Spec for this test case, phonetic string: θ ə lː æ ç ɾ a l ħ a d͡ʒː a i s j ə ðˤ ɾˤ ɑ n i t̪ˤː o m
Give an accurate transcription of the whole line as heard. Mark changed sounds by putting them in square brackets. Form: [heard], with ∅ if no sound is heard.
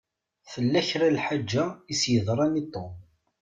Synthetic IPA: θ ə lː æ ç ɾ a l ħ a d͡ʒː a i s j ə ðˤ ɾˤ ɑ n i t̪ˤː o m